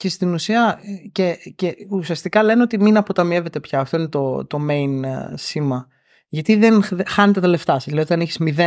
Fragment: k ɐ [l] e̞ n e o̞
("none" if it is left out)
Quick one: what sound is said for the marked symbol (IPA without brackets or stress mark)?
l